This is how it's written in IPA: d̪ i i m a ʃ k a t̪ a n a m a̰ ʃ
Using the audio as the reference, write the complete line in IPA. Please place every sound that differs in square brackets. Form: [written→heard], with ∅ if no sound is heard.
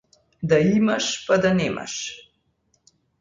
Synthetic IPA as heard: d̪ [i→a] i m a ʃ [k→p] a [t̪→d̪] a n [a→ɛ] m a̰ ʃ